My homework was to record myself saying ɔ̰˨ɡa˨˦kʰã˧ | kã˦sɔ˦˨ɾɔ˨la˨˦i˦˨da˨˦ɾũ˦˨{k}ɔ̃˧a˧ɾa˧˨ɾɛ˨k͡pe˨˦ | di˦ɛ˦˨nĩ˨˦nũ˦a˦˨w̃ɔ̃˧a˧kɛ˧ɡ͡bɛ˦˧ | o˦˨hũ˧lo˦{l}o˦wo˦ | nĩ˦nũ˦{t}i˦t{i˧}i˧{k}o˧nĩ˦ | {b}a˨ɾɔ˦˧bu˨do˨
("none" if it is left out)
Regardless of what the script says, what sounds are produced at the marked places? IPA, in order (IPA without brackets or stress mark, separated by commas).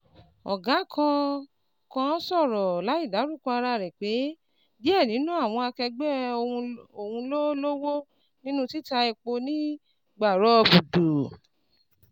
k, l, t, a˧, k͡p, ɡ͡b